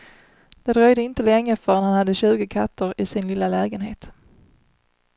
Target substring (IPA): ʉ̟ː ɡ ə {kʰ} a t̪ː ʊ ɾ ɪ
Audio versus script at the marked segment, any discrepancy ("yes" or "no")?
no